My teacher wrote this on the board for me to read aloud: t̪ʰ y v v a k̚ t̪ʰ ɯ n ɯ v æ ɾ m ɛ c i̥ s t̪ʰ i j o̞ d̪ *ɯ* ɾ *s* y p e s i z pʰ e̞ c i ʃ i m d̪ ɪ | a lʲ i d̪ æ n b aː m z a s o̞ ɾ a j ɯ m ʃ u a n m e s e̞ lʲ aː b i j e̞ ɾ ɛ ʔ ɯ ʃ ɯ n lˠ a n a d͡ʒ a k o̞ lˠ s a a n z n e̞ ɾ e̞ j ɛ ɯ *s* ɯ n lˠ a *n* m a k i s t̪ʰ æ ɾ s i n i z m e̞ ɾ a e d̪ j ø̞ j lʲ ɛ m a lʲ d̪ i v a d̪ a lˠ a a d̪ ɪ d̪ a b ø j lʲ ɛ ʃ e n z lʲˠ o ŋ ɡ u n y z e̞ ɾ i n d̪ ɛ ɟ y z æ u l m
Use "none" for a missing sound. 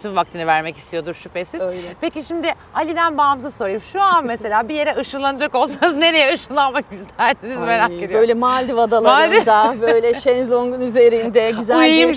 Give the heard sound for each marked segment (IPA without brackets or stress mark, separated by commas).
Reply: u, ʃ, ʃ, n